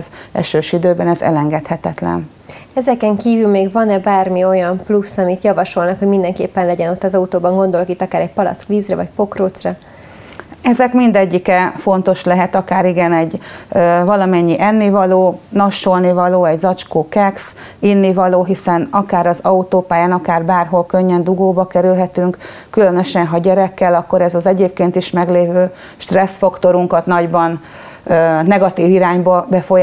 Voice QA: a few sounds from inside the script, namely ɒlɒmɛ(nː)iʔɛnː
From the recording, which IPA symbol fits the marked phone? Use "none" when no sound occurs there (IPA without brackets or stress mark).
ɲː